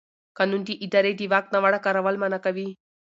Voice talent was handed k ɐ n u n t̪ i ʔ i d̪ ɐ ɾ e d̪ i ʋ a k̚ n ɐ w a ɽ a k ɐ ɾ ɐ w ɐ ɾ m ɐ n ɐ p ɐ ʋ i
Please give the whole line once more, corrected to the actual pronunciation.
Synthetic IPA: k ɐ n u n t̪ i ʔ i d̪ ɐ ɾ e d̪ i ʋ a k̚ n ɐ ʋ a ɽ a k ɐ ɾ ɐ ʋ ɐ l m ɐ n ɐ k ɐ ʋ i